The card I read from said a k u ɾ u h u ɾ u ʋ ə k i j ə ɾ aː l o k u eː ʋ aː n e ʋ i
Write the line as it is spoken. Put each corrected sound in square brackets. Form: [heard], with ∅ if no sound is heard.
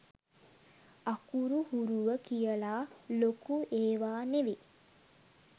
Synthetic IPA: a k u ɾ u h u ɾ u ʋ ə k i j ə [l] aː l o k u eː ʋ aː n e ʋ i